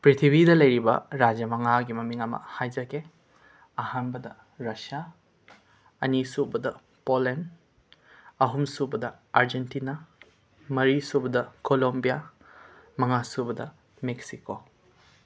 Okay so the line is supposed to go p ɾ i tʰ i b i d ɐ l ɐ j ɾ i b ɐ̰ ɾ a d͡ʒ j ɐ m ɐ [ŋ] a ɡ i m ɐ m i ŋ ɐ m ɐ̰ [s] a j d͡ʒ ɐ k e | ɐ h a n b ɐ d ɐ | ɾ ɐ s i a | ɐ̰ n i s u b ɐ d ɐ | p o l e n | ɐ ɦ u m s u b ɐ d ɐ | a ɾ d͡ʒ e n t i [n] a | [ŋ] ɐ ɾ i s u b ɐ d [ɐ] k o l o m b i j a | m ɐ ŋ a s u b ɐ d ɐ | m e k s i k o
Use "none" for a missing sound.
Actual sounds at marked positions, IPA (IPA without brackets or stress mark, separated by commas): ŋ, h, n, m, ɐ